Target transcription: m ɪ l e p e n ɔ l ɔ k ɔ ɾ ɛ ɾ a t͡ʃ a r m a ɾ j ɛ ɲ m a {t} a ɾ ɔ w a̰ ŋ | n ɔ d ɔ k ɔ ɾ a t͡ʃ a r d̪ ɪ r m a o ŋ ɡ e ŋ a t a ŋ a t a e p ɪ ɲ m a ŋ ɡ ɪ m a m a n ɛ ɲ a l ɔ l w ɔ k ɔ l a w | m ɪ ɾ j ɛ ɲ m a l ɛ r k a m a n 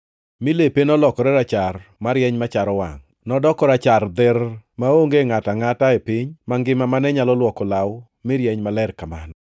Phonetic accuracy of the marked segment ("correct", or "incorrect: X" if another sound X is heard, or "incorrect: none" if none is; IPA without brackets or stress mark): incorrect: t͡ʃ